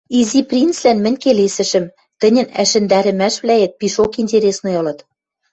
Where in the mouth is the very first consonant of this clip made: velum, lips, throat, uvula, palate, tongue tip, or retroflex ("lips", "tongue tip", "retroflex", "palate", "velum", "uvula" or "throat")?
tongue tip